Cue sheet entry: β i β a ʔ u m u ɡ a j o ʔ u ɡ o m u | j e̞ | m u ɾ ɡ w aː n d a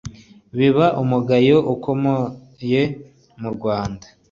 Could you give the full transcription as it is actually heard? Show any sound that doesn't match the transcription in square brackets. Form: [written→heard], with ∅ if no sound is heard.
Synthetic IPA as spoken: β i β a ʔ u m u ɡ a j o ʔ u [ɡ→k] o m [u→o] | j e̞ | m u ɾ ɡ w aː n d a